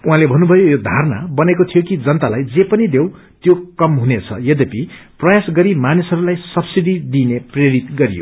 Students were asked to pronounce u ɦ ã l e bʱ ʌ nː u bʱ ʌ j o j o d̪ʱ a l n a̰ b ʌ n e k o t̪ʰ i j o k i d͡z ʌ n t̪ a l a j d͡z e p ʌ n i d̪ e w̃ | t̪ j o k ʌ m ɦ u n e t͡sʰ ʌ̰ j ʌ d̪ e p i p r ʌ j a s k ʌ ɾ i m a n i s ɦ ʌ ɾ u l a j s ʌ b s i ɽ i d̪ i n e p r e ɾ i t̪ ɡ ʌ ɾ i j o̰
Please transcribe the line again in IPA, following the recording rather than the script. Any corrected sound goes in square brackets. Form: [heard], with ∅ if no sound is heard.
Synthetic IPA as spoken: u ɦ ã l e bʱ ʌ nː u bʱ ʌ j o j o d̪ʱ a [r] n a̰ b ʌ n e k o t̪ʰ i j o k i d͡z ʌ n t̪ a l a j d͡z e p ʌ n i d̪ e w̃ | t̪ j o k ʌ m ɦ u n e t͡sʰ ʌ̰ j ʌ d̪ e p i p r ʌ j a s [ɡ] ʌ ɾ i m a n i s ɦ ʌ ɾ u l a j s ʌ b s i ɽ i d̪ i n e p r e ɾ i t̪ ɡ ʌ ɾ i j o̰